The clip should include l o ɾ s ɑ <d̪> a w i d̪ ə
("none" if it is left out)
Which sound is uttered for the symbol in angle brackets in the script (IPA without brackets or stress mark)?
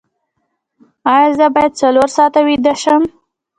t̪